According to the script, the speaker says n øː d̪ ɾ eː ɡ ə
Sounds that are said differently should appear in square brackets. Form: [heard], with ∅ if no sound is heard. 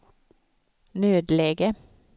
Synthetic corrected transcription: n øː d̪ [l] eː ɡ ə